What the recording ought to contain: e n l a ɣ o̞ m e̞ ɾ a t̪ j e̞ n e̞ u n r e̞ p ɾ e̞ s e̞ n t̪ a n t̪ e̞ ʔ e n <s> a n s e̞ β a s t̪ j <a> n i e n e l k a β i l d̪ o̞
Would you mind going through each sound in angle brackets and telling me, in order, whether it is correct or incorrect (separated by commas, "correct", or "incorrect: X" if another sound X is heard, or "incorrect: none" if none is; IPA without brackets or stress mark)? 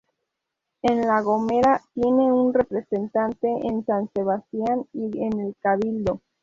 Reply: correct, correct